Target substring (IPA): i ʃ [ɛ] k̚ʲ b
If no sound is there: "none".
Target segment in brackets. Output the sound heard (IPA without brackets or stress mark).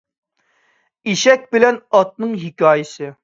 ɛ